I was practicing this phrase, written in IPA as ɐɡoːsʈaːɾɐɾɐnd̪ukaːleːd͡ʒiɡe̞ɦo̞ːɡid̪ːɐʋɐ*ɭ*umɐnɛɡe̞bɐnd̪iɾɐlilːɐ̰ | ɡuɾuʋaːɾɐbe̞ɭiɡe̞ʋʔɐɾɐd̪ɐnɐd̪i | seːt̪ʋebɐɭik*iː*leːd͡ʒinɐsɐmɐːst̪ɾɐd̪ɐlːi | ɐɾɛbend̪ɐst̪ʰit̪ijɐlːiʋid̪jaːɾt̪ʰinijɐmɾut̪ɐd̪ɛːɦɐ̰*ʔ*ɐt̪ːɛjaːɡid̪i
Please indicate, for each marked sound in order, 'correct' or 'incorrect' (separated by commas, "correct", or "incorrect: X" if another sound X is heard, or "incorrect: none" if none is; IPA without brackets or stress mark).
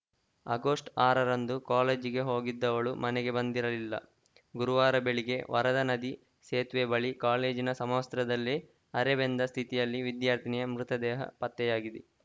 correct, incorrect: aː, incorrect: p